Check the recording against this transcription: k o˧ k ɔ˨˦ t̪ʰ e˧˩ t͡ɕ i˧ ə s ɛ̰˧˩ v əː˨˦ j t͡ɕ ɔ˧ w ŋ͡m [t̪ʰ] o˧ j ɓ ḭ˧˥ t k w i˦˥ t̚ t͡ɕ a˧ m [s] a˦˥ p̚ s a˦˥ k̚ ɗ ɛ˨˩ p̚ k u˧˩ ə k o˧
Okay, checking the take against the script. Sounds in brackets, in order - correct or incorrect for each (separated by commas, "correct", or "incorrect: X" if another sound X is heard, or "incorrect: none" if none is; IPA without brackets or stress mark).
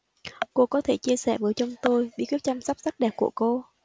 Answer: incorrect: t̪, correct